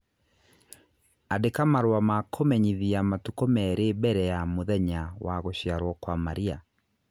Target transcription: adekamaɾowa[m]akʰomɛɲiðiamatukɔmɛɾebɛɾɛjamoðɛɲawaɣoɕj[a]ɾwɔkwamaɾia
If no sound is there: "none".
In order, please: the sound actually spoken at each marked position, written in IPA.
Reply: m, a

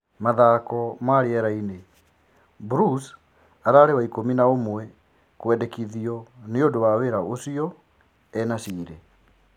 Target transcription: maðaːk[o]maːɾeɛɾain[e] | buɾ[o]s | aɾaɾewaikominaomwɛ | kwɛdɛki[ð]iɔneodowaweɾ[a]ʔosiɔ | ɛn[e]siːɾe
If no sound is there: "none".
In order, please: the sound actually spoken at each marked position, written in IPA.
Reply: ɔ, e, u, ð, a, a

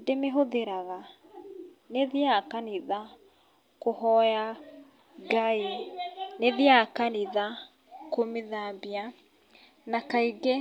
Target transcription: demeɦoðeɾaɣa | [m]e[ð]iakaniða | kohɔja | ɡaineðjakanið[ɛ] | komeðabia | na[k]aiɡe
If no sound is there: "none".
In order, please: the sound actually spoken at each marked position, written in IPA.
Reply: n, ð, a, k

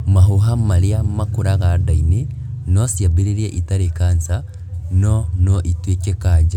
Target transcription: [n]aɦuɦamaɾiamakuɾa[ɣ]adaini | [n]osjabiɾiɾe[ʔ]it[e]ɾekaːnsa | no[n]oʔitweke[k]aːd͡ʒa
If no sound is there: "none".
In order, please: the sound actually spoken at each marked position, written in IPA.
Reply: m, ɣ, n, ʔ, a, n, k

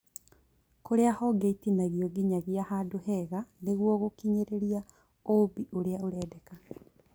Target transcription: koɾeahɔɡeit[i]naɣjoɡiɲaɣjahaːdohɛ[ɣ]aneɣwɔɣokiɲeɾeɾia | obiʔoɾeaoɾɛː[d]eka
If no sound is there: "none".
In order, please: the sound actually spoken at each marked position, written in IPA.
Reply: i, ɣ, d

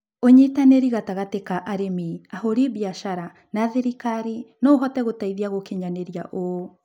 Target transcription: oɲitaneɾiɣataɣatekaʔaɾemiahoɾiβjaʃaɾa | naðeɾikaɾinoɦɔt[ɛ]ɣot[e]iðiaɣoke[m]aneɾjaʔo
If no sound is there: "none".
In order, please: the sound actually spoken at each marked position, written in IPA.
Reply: ɛ, a, ɲ

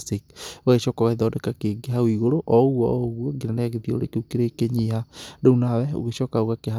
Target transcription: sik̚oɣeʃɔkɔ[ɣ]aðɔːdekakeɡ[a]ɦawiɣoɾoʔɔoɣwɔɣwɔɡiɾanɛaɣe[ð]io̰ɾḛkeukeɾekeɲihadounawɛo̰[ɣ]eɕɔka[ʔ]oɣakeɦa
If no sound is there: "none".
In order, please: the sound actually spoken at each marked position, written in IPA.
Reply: ɣ, e, ð, ɣ, none

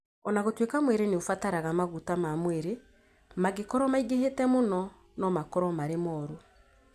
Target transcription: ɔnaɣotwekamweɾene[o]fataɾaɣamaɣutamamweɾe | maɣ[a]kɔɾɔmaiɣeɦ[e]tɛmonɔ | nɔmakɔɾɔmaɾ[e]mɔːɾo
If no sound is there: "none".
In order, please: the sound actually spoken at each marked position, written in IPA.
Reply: o, e, e, e

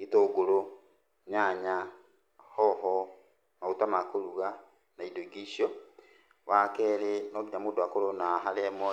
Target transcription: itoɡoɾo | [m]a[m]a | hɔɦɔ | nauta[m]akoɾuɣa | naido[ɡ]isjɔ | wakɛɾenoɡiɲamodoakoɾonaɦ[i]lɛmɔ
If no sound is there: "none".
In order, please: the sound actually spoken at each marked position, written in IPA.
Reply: ɲ, ɲ, m, ɡ, a

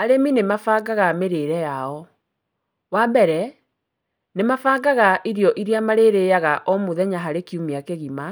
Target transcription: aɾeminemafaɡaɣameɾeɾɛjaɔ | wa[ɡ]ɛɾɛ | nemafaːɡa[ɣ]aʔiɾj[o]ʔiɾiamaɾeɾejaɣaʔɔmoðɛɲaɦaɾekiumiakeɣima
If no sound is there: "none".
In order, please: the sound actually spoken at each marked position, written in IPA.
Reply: b, ɣ, ɔ

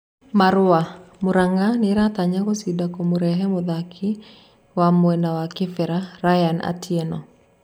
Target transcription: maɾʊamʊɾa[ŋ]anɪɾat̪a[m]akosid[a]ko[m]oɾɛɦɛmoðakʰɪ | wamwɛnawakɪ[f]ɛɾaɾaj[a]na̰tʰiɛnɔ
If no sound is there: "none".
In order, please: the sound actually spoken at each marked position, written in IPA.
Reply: ŋ, ɲ, a, m, f, a

